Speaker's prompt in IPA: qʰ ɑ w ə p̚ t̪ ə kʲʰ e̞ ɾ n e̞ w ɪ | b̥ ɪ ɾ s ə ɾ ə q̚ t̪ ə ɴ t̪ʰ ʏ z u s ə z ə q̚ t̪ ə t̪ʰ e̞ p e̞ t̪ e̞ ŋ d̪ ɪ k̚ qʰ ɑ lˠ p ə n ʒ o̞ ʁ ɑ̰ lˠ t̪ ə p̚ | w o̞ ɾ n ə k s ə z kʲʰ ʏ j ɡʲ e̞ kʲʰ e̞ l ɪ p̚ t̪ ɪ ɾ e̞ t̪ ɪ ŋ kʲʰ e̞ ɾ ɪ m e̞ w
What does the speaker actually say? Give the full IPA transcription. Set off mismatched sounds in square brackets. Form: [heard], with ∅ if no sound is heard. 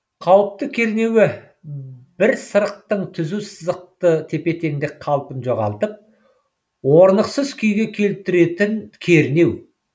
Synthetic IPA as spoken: qʰ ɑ w ə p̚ t̪ ə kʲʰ e̞ ɾ n e̞ w ɪ | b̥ ɪ ɾ s ə ɾ ə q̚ t̪ ə ɴ t̪ʰ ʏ z u s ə z ə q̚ t̪ ə t̪ʰ e̞ p e̞ t̪ e̞ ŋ d̪ ɪ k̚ qʰ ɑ lˠ p ə n ʒ o̞ ʁ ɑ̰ lˠ t̪ ə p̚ | w o̞ ɾ n ə [q] s ə z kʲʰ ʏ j ɡʲ e̞ kʲʰ e̞ l ɪ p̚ t̪ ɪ ɾ e̞ t̪ ɪ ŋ kʲʰ e̞ ɾ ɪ [n] e̞ w

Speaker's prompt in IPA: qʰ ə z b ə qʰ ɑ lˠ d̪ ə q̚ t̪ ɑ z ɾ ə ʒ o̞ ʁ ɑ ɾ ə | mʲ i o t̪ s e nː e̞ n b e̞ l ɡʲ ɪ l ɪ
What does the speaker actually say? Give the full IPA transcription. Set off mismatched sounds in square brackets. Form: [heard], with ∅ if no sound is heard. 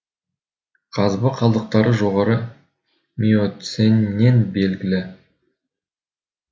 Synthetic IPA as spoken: qʰ [ɑ] z b ə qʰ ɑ lˠ d̪ ə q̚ t̪ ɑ [∅] ɾ ə ʒ o̞ ʁ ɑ ɾ ə | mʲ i o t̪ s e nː e̞ n b e̞ l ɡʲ ɪ l ɪ

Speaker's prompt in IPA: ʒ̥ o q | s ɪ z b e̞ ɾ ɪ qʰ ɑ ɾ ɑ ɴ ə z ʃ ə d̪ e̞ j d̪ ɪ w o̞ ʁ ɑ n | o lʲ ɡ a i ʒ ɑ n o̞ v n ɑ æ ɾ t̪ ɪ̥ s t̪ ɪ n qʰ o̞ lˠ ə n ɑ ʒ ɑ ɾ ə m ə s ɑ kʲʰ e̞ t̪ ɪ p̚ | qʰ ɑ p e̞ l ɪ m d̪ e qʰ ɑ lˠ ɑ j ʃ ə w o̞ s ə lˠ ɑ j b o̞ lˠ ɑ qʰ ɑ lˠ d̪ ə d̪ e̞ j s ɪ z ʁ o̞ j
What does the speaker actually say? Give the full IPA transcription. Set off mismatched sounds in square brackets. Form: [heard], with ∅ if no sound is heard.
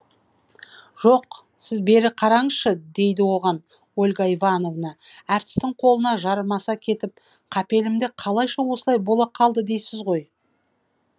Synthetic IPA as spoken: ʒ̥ o q | s ɪ z b e̞ ɾ ɪ qʰ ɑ ɾ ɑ ɴ ə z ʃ ə d̪ e̞ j d̪ ɪ w o̞ ʁ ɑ n | o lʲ ɡ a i [v] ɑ n o̞ v n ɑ æ ɾ t̪ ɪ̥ s t̪ ɪ [ɴ] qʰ o̞ lˠ ə n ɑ ʒ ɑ ɾ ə m [ɑ] s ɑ kʲʰ e̞ t̪ ɪ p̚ | qʰ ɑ p e̞ l ɪ m d̪ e qʰ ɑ lˠ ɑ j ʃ [ɑ] w o̞ s ə lˠ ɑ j b o̞ lˠ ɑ qʰ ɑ lˠ d̪ ə d̪ e̞ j s ɪ z ʁ o̞ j

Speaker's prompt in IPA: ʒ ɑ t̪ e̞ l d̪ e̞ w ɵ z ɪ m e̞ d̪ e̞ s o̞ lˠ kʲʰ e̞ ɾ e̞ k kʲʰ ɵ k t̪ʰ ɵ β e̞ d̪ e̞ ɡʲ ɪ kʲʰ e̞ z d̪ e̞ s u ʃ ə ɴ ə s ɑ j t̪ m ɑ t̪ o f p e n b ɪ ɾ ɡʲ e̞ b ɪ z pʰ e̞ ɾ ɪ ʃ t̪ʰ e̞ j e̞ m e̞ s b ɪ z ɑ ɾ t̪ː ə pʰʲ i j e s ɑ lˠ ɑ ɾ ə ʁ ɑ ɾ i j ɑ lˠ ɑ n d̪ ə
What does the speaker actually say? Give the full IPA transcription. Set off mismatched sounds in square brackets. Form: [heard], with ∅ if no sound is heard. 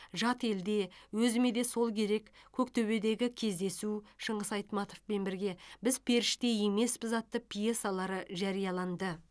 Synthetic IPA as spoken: ʒ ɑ t̪ e̞ l d̪ e̞ w ɵ z ɪ m e̞ d̪ e̞ s o̞ lˠ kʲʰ e̞ ɾ e̞ k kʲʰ ɵ k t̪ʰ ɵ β e̞ d̪ e̞ ɡʲ ɪ kʲʰ e̞ z d̪ e̞ s u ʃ ə ɴ ə s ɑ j t̪ m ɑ t̪ o f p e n b ɪ ɾ ɡʲ e̞ b ɪ z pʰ e̞ ɾ ɪ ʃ [t̪] e̞ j e̞ m e̞ s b ɪ z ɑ [∅] t̪ː ə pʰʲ i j e s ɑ lˠ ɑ ɾ ə [ʒ] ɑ ɾ i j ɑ lˠ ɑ n d̪ ə

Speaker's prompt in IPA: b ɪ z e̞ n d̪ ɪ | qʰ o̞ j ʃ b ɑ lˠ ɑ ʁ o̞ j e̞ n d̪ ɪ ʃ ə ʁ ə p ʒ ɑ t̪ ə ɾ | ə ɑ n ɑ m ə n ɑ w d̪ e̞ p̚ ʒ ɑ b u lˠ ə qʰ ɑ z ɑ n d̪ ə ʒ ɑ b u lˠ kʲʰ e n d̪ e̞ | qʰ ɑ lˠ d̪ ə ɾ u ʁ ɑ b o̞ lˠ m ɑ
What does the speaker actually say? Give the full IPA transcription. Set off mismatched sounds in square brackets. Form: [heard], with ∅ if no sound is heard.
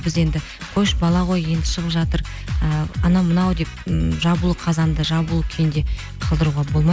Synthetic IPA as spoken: b ɪ z e̞ n d̪ ɪ | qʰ o̞ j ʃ b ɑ lˠ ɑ ʁ o̞ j e̞ n d̪ ɪ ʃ ə ʁ ə p ʒ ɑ t̪ ə ɾ | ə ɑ n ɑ m ə n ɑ w d̪ e̞ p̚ ʒ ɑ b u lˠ ə qʰ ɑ z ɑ n d̪ ə ʒ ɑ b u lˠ kʲʰ e n d̪ e̞ | qʰ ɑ lˠ d̪ ə ɾ u ʁ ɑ b o̞ lˠ m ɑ

